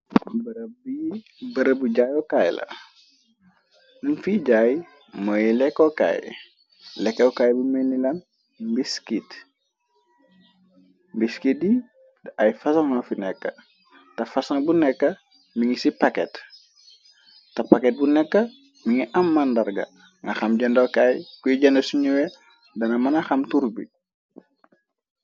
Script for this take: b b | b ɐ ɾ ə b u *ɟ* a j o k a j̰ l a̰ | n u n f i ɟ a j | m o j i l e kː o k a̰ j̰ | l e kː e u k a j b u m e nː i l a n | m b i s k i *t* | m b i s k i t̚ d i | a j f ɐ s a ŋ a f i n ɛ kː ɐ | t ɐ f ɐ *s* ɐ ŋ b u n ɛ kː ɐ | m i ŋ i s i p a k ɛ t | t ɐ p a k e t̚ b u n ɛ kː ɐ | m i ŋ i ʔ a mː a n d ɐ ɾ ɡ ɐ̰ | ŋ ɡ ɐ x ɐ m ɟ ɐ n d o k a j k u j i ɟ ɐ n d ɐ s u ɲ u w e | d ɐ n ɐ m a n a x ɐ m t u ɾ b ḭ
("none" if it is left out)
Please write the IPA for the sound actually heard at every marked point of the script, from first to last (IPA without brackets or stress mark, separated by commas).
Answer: ɟ, t, s